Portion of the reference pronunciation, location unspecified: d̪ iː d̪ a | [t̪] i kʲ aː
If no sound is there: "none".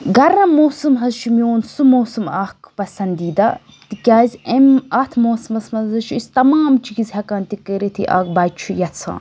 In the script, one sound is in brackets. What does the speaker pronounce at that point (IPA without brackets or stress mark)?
t̪